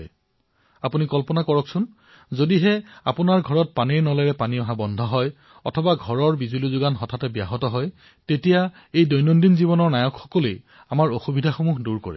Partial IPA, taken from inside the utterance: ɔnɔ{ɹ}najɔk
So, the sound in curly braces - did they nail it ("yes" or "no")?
yes